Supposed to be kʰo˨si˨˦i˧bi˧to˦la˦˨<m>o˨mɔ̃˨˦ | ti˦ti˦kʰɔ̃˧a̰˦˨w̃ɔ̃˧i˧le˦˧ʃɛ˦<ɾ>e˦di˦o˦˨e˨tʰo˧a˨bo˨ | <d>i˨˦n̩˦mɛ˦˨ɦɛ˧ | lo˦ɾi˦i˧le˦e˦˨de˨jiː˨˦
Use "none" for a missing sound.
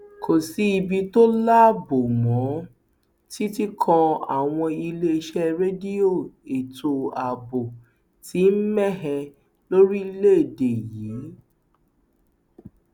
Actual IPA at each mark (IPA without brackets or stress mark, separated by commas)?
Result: b, ɾ, t